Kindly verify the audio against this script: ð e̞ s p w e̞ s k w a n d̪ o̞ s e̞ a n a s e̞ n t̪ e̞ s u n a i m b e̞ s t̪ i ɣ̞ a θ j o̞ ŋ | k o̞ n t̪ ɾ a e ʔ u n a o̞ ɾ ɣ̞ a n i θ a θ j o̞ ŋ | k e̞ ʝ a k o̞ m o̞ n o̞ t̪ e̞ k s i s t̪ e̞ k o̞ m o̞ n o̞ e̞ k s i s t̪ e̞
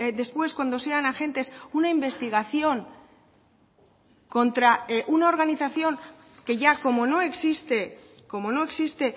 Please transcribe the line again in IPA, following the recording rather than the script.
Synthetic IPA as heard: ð e̞ s p w e̞ s k w a n d̪ o̞ s e̞ a n a x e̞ n t̪ e̞ s u n a i m b e̞ s t̪ i ɣ̞ a θ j o̞ ŋ | k o̞ n t̪ ɾ a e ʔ u n a o̞ ɾ ɣ̞ a n i θ a θ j o̞ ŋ | k e̞ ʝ a k o̞ m o̞ n o̞ e̞ k s i s t̪ e̞ k o̞ m o̞ n o̞ e̞ k s i s t̪ e̞